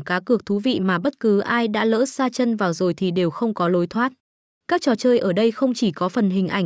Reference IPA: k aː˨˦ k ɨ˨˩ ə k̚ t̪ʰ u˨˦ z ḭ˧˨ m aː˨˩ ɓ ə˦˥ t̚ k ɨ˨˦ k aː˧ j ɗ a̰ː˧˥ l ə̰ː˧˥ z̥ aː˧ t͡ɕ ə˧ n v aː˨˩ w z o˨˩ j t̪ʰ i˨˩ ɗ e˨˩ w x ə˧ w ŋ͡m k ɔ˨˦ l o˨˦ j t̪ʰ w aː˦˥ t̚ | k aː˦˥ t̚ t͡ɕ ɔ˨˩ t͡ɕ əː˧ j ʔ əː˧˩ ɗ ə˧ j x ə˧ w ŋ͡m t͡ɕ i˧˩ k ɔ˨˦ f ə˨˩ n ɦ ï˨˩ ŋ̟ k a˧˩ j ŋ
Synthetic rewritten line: k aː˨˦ k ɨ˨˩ ə k̚ t̪ʰ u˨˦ v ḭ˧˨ m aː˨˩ ɓ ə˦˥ t̚ k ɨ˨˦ ʔ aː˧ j ɗ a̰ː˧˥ l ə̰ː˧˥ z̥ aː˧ t͡ɕ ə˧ n v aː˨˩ w z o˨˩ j t̪ʰ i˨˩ ɗ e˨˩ w x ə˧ w ŋ͡m k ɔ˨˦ l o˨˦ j t̪ʰ w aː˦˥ t̚ | k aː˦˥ k̚ t͡ɕ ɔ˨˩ t͡ɕ əː˧ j ʔ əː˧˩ ɗ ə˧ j x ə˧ w ŋ͡m t͡ɕ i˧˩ k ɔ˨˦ f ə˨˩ n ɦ ï˨˩ ŋ̟ ʔ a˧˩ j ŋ